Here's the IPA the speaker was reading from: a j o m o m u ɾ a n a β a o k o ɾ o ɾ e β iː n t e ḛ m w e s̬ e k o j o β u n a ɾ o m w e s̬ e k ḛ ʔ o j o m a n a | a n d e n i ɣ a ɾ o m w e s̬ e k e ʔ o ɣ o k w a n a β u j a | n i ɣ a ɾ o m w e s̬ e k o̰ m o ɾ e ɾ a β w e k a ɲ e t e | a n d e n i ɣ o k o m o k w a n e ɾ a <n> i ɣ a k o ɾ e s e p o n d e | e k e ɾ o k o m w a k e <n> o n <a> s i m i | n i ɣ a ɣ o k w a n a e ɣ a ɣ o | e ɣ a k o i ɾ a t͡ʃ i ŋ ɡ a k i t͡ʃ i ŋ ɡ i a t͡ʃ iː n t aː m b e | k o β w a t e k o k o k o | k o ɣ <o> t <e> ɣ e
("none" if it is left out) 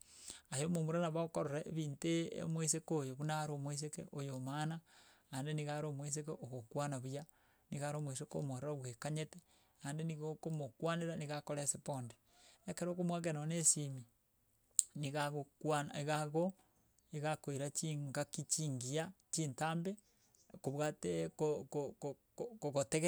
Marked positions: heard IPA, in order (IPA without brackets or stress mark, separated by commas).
n, n, e, o, e